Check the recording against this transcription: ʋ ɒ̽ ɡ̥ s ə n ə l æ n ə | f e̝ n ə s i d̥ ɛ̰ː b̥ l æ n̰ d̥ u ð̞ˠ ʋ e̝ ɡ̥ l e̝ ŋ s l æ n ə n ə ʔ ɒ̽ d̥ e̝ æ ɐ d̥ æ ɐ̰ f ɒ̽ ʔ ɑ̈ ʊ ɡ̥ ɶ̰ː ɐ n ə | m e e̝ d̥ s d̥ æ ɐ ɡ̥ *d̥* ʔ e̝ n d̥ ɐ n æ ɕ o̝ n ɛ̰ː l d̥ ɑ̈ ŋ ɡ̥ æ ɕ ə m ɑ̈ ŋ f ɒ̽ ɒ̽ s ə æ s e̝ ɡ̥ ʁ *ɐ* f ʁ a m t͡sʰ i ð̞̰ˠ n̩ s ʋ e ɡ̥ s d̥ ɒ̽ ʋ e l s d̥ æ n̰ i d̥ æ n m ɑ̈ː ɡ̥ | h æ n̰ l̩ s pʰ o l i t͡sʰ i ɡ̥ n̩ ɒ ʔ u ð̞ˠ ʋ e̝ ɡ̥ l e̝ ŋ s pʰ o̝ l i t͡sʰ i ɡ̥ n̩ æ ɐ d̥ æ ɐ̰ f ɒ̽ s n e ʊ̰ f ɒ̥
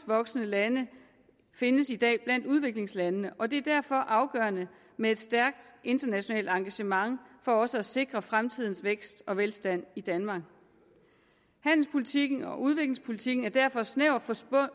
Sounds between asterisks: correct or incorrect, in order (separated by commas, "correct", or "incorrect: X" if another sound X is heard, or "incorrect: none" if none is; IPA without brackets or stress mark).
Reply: correct, correct